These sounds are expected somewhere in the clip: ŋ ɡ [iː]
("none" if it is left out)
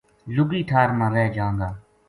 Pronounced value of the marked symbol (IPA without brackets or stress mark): aː